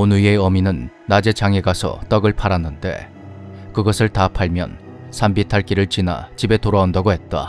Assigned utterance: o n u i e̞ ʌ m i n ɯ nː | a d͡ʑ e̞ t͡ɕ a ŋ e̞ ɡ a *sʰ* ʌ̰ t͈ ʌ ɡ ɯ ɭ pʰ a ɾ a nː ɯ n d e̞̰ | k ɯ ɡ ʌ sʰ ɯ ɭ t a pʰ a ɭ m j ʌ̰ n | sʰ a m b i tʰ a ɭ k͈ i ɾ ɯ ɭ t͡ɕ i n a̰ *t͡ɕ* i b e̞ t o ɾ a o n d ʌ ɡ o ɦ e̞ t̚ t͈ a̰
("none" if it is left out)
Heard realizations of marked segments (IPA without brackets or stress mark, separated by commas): sʰ, t͡ɕ